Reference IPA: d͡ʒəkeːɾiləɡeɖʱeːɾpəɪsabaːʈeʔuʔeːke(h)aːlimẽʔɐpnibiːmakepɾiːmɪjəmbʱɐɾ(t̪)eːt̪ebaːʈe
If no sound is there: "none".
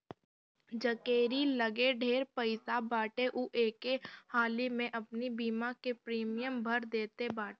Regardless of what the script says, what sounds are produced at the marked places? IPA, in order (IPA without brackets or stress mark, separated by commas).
h, d̪